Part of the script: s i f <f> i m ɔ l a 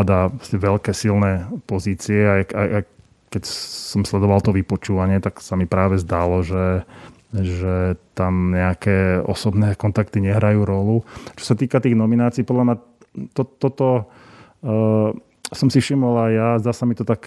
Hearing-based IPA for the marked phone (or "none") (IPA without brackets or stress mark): ʃ